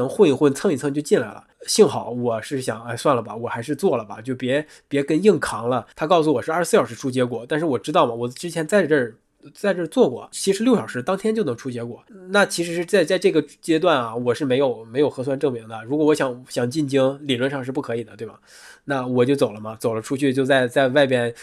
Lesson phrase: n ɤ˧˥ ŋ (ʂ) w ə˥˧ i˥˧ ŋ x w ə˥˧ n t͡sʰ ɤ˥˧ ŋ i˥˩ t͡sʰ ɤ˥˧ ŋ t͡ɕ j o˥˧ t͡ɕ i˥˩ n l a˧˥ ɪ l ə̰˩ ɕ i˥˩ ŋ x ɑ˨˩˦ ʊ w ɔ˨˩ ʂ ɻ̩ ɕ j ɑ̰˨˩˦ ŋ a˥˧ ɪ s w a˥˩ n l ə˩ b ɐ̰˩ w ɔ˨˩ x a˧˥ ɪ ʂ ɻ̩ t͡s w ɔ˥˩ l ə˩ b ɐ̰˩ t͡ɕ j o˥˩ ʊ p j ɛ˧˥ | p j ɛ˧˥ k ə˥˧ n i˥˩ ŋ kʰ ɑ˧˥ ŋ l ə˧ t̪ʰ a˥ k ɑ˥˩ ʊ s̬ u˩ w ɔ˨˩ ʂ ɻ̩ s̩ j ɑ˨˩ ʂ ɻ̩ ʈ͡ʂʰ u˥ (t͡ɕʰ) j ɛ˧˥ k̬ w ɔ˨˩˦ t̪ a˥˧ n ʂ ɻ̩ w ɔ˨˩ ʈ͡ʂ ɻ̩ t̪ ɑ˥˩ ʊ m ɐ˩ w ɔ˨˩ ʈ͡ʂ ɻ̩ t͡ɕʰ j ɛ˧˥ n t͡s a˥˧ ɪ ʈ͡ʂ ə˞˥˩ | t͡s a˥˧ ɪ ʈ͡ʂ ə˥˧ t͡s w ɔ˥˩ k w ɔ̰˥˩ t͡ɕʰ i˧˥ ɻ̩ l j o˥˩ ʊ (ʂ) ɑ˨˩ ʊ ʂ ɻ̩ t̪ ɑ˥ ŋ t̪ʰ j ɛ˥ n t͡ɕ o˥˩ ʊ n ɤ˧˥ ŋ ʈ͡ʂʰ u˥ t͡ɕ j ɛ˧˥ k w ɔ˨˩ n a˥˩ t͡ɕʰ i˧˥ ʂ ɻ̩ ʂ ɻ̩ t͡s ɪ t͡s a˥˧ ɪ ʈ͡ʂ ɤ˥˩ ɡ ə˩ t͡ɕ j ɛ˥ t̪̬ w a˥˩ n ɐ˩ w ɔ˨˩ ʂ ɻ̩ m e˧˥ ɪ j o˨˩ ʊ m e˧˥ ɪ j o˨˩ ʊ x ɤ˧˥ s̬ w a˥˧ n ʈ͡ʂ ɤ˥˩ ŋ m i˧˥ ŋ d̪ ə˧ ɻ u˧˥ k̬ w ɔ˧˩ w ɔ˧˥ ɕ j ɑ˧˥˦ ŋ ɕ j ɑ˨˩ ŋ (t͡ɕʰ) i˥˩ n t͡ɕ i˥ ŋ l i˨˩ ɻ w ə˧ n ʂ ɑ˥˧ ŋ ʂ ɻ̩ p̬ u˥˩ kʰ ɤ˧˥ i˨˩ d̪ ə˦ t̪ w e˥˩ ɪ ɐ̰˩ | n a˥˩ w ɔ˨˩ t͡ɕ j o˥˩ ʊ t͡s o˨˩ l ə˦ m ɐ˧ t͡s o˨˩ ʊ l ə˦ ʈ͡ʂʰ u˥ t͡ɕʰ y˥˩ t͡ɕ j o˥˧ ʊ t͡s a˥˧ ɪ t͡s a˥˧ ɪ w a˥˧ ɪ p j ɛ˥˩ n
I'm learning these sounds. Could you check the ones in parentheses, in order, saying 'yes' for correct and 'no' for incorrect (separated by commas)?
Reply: no, no, yes, no